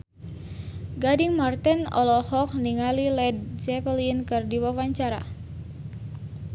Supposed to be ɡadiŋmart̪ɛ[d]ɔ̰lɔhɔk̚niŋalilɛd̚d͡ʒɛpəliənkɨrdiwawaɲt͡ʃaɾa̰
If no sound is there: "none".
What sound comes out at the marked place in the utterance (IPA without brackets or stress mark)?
n